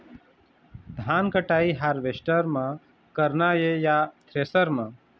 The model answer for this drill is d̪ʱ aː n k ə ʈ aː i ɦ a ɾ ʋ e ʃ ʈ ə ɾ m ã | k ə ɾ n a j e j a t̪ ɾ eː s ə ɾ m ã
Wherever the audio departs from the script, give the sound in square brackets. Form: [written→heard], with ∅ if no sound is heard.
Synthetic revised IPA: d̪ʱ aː n k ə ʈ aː i ɦ a ɾ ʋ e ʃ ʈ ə ɾ m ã | k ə ɾ n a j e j a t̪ ɾ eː s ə ɾ m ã